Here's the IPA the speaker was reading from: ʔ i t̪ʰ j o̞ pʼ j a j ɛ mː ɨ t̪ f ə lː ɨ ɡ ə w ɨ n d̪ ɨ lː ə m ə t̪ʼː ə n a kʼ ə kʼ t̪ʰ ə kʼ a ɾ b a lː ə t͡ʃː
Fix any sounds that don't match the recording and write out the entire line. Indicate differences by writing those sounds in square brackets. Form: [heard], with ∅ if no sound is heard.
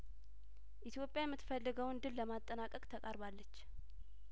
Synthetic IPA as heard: ʔ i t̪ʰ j o̞ pʼ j a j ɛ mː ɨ t̪ f ə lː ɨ ɡ ə w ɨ n d̪ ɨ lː ə m [a] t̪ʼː ə n a kʼ ə kʼ t̪ʰ ə kʼ a ɾ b a lː ə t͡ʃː